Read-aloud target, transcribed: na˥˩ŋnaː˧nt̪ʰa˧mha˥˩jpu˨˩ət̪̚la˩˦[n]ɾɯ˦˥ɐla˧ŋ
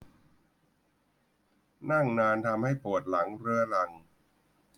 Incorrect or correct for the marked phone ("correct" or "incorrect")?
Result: incorrect